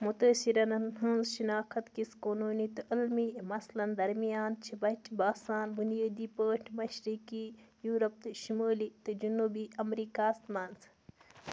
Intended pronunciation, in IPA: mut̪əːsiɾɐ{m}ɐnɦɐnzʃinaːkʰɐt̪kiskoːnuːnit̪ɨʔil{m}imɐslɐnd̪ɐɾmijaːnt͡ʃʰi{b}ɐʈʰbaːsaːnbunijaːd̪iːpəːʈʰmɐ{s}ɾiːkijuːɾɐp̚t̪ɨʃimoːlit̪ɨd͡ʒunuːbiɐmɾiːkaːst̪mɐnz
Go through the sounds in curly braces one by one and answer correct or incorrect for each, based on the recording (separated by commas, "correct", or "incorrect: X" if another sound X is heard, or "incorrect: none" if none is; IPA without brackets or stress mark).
incorrect: n, correct, correct, incorrect: ʃ